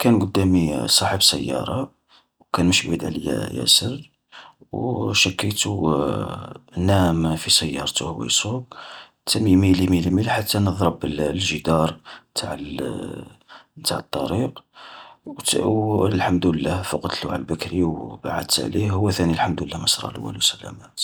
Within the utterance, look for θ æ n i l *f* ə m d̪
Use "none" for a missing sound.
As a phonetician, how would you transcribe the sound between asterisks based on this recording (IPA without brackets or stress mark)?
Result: ħ